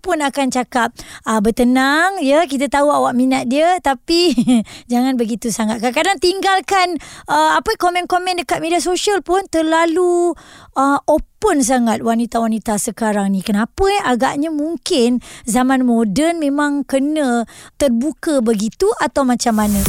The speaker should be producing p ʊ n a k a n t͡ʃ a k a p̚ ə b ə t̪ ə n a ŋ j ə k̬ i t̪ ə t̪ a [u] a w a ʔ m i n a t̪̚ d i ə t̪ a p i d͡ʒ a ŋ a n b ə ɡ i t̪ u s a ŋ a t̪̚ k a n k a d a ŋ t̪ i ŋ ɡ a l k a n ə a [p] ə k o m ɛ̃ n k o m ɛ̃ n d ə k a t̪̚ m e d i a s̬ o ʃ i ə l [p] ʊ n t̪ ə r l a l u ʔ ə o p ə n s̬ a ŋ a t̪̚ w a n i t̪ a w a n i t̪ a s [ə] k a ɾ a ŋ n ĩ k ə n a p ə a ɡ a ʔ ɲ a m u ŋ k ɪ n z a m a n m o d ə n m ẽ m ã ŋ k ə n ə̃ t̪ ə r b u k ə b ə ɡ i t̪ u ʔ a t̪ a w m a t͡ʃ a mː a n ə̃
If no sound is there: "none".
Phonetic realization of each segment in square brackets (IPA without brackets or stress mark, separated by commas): u, p, p, ə